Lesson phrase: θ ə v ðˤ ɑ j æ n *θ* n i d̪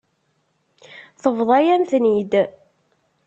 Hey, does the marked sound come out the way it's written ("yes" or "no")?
yes